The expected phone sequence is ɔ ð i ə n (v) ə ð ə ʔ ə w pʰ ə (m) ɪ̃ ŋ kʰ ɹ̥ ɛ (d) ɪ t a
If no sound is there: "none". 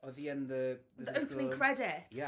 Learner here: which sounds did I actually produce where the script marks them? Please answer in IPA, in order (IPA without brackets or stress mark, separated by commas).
ð, n, d